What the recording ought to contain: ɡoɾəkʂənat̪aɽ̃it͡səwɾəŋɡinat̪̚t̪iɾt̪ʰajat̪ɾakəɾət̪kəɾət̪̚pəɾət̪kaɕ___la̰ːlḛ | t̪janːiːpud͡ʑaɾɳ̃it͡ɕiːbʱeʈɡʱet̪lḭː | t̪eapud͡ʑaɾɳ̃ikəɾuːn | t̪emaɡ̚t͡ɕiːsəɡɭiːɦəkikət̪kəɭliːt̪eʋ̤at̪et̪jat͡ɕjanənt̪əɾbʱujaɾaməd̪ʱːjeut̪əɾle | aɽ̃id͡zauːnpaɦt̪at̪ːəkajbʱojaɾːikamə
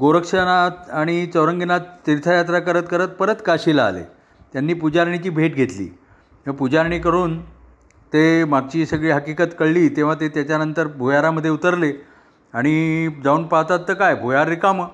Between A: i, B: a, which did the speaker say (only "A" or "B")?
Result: A